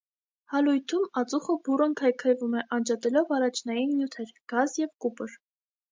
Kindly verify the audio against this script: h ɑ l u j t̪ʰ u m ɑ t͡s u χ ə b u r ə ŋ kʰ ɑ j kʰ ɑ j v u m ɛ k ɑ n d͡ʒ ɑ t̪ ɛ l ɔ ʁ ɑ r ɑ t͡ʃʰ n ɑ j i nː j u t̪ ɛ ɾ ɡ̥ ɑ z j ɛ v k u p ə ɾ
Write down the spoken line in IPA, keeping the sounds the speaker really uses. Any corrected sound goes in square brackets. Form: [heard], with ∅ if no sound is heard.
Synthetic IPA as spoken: h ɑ l u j t̪ʰ u m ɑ t͡s u χ ə b u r ə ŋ kʰ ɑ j kʰ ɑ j v u m ɛ [ʔ] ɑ n d͡ʒ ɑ t̪ ɛ l ɔ [v] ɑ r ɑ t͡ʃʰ n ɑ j i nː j u [t̪ʰ] ɛ ɾ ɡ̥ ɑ z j ɛ v k u p ə ɾ